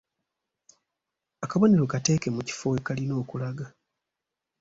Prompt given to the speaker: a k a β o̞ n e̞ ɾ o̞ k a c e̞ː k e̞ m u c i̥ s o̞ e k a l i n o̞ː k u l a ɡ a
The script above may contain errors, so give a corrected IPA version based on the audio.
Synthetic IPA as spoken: a k a β o̞ n e̞ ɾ o̞ k a t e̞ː k e̞ m u c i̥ f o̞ e k a l i n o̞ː k u l a ɡ a